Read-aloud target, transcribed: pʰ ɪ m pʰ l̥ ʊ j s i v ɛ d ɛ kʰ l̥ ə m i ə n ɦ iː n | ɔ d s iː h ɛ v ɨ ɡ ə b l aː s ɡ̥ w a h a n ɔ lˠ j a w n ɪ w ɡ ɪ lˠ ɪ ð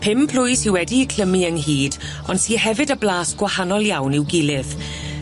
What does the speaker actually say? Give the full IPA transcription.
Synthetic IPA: pʰ ɪ m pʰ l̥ ʊ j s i w ɛ d i kʰ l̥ ə m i ə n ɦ iː d | ɔ n s iː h ɛ v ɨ d ə b l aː s ɡ̥ w a h a n ɔ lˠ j a w n ɪ w ɡ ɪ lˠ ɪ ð